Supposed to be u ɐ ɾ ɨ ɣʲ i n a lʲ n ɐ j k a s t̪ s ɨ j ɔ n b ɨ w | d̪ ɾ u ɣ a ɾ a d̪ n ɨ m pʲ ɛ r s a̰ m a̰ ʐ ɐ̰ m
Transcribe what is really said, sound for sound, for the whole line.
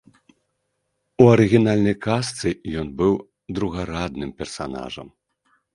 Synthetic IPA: u ɐ ɾ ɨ ɣʲ i n a lʲ n ɐ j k a s t̪ s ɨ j ɔ n b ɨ w | d̪ ɾ u ɣ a ɾ a d̪ n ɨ m pʲ ɛ r s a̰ n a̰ ʐ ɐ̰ m